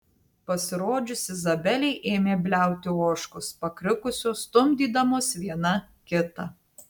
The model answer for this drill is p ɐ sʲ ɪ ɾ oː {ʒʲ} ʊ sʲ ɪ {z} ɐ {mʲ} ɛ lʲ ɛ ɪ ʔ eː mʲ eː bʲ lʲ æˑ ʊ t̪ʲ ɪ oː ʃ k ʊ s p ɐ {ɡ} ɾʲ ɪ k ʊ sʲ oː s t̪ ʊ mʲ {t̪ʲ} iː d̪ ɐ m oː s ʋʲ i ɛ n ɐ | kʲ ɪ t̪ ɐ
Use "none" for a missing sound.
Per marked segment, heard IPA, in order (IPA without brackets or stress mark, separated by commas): d͡ʒʲ, z, bʲ, k, d̪ʲ